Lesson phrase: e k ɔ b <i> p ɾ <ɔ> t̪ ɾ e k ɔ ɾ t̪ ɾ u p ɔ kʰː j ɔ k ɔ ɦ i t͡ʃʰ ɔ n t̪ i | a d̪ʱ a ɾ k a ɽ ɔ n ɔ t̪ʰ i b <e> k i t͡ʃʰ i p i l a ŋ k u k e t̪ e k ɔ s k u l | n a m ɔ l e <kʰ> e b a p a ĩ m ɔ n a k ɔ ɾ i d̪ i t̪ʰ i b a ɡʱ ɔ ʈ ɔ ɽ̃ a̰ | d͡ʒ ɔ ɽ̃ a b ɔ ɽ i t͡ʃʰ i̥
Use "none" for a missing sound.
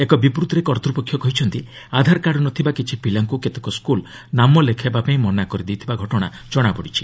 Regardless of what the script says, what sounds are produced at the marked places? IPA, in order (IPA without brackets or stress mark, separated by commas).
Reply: i, u, a, kʰ